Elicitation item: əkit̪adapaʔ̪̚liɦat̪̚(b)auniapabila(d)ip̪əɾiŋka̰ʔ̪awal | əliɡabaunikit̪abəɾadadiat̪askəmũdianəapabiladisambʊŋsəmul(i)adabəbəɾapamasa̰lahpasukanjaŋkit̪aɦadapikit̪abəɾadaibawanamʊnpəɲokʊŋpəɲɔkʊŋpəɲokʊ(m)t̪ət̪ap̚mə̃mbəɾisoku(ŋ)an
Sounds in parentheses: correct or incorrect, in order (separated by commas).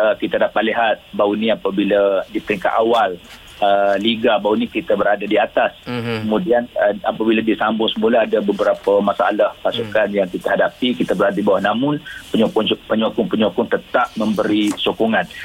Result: correct, correct, incorrect, incorrect, correct